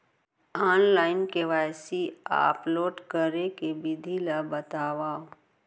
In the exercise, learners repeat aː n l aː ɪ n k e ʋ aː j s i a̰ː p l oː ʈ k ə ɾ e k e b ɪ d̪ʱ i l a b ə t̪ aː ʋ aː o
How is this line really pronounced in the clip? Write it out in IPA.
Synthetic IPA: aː n l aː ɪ n k e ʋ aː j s i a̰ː p l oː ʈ k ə ɾ e k e b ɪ d̪ʱ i l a b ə t̪ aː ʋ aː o